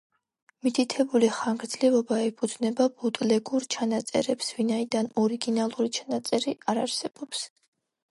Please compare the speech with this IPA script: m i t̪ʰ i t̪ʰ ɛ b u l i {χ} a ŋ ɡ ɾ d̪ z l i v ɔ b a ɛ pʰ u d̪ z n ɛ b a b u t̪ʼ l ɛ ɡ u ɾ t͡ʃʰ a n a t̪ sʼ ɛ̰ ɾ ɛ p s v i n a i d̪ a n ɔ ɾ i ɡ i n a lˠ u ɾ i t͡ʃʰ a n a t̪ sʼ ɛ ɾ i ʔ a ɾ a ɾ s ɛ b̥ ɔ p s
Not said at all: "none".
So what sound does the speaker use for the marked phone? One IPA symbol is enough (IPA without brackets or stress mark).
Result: χ